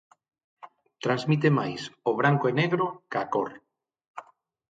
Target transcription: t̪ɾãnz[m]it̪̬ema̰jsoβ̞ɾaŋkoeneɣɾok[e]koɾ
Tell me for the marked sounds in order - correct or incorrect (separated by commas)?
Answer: correct, incorrect